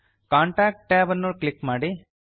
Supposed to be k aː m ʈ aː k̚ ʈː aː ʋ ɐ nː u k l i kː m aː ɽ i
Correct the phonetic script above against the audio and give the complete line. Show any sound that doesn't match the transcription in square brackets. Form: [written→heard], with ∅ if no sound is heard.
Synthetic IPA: k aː [m→ɳ] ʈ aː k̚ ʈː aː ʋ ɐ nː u k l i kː m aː ɽ i